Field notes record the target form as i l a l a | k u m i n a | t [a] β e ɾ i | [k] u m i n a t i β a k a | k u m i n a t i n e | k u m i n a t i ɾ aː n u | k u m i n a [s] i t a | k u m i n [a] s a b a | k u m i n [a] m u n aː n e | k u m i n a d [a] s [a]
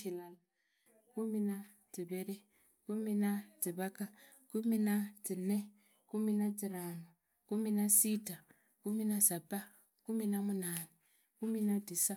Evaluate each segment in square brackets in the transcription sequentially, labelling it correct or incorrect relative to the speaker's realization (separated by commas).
incorrect, correct, correct, correct, correct, incorrect, correct